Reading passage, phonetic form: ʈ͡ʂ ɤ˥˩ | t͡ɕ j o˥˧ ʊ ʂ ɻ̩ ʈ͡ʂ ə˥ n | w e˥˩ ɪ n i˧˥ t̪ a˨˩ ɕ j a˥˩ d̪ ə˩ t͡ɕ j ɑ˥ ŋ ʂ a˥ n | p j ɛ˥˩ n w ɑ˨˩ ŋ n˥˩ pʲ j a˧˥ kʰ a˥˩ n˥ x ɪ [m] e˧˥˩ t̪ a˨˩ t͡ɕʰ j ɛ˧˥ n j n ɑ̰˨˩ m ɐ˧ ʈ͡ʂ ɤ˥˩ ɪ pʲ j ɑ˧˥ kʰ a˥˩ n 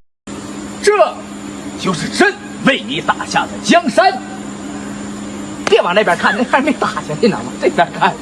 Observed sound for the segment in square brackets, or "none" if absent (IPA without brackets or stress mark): m